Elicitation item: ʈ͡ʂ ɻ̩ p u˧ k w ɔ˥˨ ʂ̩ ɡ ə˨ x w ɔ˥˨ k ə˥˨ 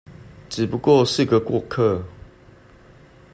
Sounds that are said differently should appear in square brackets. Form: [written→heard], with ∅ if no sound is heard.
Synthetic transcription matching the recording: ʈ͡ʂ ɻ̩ p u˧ k w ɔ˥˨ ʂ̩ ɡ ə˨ [x→k] w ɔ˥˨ [k→kʰ] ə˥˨